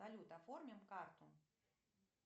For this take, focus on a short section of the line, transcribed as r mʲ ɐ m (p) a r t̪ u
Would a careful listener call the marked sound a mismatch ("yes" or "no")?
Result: yes